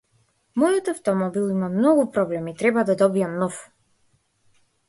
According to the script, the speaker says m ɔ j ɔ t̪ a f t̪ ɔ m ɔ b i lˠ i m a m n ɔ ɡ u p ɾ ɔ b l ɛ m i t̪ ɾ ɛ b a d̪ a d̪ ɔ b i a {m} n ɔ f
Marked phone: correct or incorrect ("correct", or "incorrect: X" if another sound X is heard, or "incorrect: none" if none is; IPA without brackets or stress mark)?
correct